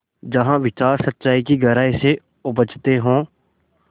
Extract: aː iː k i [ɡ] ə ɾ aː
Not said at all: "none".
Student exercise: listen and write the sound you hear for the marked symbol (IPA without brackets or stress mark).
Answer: ɡ